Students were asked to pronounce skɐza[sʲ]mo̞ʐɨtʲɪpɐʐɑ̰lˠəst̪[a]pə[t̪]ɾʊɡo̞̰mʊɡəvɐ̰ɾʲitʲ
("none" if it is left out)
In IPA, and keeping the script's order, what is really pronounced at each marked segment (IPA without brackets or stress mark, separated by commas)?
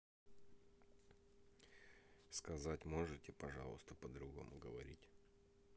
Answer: tʲ, ə, d̪